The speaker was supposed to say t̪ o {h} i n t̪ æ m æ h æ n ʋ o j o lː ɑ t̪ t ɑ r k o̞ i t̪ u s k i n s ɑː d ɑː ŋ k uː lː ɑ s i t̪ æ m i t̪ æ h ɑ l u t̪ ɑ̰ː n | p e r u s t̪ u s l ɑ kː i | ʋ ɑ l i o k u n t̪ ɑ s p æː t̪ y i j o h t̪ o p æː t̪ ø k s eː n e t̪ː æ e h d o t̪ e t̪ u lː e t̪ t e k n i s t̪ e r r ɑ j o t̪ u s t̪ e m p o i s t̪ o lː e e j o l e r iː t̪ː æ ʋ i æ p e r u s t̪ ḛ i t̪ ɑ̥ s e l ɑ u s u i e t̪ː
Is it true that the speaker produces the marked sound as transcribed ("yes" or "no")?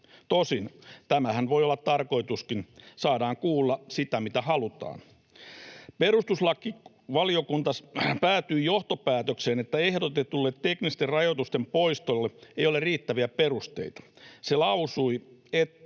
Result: no